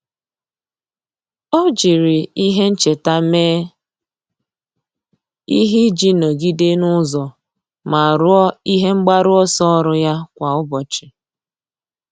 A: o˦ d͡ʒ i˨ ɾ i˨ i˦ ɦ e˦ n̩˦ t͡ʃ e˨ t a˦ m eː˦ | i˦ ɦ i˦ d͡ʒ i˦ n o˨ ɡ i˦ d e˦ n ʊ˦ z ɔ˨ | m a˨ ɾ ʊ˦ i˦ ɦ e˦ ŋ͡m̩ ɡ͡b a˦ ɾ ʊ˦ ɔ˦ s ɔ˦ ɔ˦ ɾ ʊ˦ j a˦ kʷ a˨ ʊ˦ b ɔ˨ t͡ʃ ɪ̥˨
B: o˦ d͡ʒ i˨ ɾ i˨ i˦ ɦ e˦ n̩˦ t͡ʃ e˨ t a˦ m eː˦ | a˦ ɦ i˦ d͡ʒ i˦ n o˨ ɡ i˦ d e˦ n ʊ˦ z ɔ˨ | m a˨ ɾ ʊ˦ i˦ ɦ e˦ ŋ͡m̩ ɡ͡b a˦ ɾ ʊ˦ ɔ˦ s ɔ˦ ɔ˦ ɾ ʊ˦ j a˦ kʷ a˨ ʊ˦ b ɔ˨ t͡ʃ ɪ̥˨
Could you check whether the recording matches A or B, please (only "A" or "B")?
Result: A